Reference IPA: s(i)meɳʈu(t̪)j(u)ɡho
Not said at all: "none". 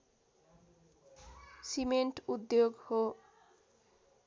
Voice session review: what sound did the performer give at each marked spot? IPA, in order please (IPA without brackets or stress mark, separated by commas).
i, d̪, o